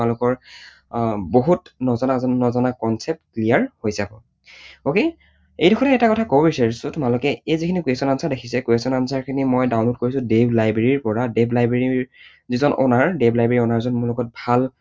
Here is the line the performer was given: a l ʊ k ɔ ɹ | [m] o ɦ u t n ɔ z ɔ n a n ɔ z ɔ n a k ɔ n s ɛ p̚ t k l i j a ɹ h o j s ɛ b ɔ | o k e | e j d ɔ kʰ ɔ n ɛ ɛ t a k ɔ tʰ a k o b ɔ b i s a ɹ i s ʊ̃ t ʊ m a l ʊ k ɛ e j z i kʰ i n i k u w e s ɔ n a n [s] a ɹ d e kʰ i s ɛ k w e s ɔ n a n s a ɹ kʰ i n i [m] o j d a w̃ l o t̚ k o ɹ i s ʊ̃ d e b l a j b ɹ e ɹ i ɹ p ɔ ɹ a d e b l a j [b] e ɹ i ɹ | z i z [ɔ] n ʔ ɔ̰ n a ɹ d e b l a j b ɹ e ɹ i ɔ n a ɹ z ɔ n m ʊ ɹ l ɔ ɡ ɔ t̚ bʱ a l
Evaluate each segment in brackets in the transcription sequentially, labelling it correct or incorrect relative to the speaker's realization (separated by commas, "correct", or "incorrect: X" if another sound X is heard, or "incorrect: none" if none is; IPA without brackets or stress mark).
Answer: incorrect: b, correct, correct, correct, correct